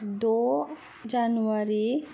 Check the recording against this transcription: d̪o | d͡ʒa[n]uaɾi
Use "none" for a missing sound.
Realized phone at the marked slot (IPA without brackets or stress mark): n